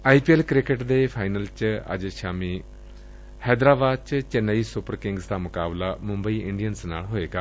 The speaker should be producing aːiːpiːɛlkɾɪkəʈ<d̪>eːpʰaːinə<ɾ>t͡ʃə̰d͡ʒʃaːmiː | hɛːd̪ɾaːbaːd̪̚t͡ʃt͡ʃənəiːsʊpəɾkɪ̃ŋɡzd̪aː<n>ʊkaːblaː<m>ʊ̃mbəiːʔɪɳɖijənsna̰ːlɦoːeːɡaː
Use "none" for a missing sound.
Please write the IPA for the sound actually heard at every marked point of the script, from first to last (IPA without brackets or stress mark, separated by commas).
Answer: d̪, l, m, m